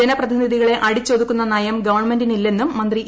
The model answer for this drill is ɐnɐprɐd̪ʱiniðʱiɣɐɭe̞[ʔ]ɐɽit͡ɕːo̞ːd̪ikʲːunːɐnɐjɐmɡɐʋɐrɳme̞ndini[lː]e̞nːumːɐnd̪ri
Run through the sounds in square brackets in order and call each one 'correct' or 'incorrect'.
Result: correct, correct

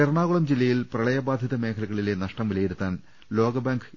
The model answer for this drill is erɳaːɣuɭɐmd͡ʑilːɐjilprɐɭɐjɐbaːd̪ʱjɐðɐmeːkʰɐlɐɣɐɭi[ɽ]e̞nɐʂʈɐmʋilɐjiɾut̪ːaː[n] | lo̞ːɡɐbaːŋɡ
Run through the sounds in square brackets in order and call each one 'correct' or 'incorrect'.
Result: incorrect, correct

